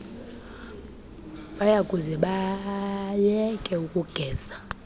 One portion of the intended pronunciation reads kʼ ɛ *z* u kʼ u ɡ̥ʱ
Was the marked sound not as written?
yes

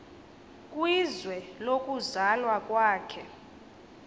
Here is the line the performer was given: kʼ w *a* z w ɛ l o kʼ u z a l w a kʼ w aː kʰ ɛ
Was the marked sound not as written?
yes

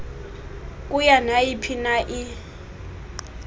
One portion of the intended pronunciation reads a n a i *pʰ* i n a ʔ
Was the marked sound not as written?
no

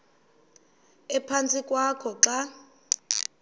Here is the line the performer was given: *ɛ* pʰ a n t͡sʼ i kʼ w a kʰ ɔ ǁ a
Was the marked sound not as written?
no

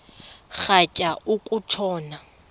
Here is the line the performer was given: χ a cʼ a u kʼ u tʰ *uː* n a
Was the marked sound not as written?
yes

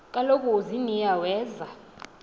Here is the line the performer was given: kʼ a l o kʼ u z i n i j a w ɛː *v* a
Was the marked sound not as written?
yes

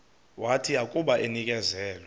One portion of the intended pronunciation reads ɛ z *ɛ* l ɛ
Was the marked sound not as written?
yes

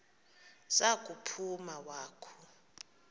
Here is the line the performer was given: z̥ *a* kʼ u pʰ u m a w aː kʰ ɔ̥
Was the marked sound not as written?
no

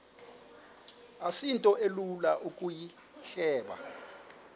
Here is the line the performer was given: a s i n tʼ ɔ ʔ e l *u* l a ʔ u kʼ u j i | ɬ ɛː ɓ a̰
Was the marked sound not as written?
no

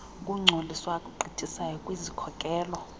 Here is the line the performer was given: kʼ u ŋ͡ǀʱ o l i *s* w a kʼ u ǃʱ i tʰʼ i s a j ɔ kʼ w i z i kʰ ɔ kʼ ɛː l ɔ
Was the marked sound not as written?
no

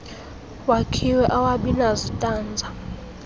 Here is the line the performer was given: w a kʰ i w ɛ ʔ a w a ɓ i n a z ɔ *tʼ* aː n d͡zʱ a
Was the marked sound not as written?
no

